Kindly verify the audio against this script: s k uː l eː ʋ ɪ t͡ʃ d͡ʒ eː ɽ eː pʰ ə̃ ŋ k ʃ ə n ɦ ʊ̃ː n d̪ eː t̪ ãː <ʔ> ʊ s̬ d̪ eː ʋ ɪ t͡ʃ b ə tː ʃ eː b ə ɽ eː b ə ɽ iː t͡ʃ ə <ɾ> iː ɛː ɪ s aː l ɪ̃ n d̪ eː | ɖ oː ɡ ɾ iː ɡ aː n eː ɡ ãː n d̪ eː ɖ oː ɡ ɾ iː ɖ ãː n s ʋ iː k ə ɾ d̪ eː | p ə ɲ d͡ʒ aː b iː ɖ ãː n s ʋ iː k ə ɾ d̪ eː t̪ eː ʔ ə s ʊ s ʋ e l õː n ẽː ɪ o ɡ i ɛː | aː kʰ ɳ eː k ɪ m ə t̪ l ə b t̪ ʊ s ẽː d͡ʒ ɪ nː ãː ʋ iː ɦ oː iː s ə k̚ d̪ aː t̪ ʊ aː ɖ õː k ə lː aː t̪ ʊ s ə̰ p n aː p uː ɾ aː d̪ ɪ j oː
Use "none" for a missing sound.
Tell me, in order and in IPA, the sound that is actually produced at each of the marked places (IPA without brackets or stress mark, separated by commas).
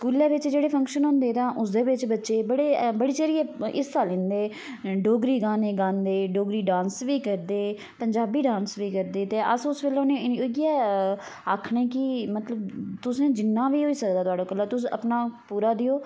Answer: ʔ, ɾ